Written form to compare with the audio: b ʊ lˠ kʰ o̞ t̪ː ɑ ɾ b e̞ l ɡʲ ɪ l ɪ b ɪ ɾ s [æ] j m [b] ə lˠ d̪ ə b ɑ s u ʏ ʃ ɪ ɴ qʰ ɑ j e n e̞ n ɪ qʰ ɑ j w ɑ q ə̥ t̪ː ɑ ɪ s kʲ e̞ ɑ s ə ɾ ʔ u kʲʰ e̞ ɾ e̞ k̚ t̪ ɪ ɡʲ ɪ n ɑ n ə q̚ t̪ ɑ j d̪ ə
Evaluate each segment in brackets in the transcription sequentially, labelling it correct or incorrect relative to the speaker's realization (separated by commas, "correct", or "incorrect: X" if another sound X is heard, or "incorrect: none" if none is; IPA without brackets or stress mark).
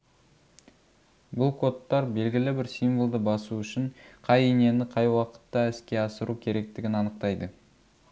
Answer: incorrect: i, incorrect: v